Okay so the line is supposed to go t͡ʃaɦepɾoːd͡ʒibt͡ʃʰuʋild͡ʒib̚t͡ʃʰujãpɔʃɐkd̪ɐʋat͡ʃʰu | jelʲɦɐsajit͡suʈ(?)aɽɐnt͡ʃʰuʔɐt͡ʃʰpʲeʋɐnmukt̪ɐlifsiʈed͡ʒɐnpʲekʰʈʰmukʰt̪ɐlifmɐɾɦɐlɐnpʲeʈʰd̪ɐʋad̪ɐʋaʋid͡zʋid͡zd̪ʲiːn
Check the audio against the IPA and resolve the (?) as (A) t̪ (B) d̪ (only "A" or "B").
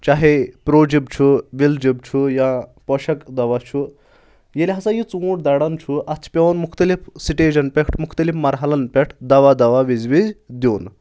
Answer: B